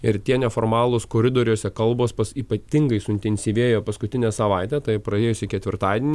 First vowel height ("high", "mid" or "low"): high